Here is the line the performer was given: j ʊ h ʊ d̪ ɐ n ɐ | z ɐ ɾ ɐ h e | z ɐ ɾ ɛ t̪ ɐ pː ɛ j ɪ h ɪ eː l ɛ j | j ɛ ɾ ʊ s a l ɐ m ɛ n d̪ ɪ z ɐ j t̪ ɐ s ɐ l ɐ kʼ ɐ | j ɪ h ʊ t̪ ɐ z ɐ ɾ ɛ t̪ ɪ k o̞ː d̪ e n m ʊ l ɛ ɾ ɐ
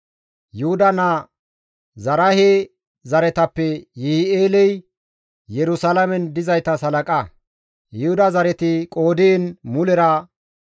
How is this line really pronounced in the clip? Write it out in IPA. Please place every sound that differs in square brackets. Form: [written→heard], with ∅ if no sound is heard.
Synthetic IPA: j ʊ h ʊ d̪ ɐ n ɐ | z ɐ ɾ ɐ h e | z ɐ ɾ ɛ t̪ ɐ pː ɛ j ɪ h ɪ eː l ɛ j | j ɛ ɾ ʊ s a l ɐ m ɛ n d̪ ɪ z ɐ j t̪ ɐ s ɐ l ɐ kʼ ɐ | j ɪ h ʊ [t̪→d̪] ɐ z ɐ ɾ ɛ t̪ ɪ [k→kʼ] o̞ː d̪ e n m ʊ l ɛ ɾ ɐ